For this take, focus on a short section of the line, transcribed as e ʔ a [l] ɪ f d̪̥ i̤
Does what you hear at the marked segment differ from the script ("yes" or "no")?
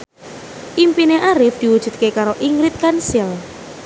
yes